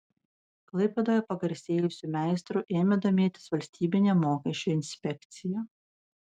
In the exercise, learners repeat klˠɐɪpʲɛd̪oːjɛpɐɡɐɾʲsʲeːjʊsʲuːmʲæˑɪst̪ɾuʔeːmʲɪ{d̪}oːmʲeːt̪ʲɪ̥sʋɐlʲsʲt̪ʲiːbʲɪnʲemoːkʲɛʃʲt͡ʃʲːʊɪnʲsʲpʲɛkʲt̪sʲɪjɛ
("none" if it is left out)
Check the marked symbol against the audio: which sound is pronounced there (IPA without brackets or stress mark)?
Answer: d̪